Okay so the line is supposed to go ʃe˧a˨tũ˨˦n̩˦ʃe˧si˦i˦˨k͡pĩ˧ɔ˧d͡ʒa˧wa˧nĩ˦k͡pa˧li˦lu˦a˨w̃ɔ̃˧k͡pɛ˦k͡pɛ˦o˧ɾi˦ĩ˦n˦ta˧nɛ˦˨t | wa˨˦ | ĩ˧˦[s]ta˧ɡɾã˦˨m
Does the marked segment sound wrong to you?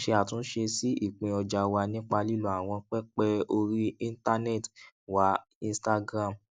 no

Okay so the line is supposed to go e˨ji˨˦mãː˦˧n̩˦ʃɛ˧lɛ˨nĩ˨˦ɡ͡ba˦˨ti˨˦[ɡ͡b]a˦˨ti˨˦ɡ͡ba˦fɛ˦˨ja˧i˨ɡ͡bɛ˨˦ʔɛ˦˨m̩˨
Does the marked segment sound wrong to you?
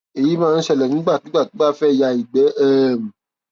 no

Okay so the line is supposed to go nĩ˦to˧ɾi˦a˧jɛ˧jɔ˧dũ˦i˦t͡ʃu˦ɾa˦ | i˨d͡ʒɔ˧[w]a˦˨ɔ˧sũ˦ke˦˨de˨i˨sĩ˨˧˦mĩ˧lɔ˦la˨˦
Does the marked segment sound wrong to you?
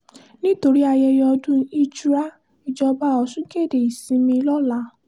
yes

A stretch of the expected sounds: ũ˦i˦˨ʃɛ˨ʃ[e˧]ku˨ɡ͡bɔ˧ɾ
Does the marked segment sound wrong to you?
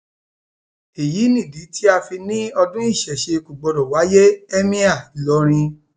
no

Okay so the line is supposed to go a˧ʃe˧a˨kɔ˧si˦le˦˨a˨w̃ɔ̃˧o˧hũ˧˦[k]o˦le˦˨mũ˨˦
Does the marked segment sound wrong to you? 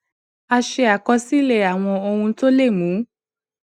yes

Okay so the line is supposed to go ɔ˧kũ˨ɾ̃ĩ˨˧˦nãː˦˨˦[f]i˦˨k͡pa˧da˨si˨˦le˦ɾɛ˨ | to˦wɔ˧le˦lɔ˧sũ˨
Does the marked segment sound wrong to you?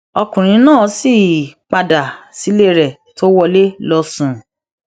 yes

